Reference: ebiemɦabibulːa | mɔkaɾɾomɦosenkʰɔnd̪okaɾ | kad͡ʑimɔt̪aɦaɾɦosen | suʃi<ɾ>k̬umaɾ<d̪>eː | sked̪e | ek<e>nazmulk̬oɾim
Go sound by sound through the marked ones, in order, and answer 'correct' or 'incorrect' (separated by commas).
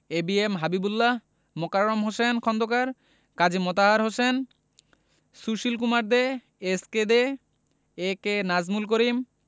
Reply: incorrect, correct, correct